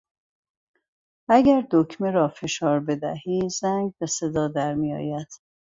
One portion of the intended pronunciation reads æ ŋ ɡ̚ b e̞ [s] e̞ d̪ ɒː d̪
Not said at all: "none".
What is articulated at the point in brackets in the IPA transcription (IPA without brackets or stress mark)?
s